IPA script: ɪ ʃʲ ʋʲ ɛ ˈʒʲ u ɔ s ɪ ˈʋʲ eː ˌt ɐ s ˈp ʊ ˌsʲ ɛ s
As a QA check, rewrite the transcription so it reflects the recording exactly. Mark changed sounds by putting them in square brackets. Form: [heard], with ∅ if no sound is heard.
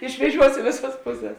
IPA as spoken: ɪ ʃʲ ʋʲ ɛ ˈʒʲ u ɔ s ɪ ˈʋʲ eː [ˌs] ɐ s ˈp ʊ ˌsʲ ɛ s